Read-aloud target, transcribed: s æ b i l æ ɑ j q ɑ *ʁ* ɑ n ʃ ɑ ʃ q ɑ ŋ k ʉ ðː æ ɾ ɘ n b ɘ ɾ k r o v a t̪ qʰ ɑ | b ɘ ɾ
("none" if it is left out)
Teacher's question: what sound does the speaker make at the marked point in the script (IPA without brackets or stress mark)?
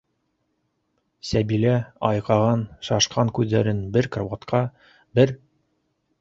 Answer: ʁ